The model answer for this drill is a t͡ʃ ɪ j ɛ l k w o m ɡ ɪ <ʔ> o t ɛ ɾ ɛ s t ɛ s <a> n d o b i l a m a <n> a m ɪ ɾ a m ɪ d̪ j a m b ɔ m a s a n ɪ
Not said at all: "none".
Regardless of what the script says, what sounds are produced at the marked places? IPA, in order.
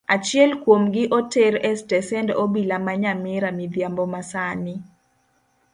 ʔ, ɛ, ɲ

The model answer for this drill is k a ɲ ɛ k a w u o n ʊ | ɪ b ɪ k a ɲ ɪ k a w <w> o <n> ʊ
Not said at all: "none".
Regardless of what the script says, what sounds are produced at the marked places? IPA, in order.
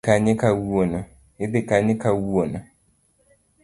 u, n

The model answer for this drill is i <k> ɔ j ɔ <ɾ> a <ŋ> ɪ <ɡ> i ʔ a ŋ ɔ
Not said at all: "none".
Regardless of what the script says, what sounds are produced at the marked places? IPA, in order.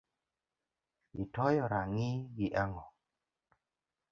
t, ɾ, ŋ, ɡ

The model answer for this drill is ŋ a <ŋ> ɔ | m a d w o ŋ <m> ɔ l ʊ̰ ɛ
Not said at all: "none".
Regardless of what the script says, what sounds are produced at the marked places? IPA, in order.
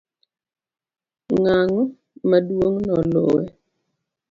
ŋ, n

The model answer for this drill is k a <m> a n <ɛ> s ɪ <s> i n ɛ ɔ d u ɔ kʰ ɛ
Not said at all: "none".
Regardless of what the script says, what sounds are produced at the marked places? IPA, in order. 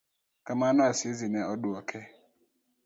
m, a, z

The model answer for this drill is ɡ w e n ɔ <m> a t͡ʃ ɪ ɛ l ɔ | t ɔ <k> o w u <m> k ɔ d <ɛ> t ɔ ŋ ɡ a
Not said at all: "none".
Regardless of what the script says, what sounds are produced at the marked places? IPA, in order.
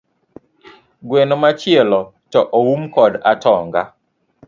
m, ʔ, m, a

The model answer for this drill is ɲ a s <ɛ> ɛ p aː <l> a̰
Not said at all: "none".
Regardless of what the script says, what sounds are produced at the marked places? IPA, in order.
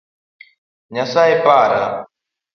a, ɾ

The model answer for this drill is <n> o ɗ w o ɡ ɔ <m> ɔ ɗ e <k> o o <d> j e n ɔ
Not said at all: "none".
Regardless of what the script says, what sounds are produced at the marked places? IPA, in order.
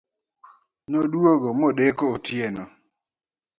n, m, k, t

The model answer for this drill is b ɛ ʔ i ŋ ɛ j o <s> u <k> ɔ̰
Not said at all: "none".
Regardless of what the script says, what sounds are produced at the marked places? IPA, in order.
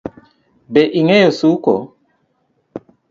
s, k

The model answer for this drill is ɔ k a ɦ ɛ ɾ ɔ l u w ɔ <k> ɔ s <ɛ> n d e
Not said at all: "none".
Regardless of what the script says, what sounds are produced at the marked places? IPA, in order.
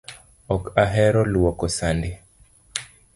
k, a

